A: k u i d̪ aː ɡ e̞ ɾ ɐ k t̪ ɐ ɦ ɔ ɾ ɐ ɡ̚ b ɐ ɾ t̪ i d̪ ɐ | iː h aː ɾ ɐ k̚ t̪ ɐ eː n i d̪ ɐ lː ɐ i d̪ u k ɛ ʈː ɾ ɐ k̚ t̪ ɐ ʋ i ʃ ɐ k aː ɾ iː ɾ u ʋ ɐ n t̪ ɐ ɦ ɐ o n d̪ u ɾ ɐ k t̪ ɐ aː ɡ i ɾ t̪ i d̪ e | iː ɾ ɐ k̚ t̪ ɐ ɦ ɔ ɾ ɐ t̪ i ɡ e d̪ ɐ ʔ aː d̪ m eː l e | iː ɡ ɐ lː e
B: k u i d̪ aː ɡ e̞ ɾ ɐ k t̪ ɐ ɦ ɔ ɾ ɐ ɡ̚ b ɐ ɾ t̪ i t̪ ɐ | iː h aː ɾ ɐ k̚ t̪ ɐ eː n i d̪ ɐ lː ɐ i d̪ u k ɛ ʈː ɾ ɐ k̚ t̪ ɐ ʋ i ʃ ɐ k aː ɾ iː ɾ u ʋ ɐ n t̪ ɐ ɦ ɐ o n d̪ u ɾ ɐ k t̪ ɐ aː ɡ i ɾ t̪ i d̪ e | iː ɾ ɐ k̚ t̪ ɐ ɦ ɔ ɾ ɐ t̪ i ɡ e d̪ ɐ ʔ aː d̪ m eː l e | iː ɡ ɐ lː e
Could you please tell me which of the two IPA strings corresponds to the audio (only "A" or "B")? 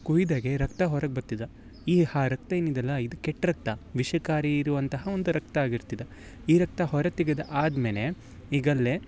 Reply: A